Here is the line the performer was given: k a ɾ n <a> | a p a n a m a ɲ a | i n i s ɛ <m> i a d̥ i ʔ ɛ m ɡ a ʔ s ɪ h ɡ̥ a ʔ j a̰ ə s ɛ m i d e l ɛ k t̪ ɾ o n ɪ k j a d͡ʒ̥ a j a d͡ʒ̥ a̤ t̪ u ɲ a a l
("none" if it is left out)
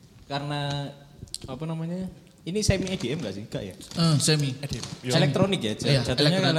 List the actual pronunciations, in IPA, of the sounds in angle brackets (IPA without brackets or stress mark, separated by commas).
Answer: a, m